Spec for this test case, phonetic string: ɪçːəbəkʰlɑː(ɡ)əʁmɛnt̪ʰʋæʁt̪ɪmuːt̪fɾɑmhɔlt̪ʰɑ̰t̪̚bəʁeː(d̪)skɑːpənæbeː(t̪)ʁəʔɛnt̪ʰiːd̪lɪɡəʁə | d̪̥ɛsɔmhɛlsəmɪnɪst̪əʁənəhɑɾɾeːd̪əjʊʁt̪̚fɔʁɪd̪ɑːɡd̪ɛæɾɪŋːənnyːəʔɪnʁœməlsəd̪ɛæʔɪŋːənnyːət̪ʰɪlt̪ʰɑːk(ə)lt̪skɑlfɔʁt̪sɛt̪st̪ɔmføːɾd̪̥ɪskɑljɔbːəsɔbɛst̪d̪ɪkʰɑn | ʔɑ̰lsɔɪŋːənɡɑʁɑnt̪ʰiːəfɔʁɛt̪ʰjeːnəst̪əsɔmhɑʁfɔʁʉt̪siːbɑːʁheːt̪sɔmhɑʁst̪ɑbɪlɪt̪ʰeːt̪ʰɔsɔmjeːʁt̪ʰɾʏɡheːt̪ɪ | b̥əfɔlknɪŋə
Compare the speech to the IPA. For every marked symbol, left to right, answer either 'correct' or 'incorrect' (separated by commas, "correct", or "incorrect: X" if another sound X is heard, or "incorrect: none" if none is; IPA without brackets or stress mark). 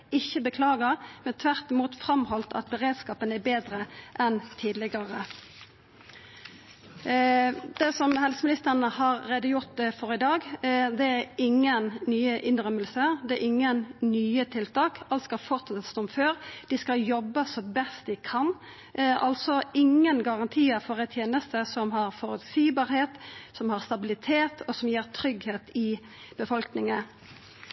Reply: correct, correct, incorrect: d̪, incorrect: ɑ